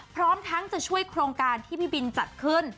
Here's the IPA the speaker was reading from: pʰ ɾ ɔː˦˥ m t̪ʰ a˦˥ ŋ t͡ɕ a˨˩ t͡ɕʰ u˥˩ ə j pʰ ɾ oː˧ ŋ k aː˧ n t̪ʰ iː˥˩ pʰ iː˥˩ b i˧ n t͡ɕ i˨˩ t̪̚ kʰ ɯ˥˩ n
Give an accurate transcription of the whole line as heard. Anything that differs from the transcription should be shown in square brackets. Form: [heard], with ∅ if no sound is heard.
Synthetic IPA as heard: pʰ ɾ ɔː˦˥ m t̪ʰ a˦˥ ŋ t͡ɕ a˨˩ t͡ɕʰ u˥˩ ə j [kʰ] ɾ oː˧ ŋ k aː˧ n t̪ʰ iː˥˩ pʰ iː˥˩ b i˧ n t͡ɕ [a˨˩] t̪̚ kʰ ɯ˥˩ n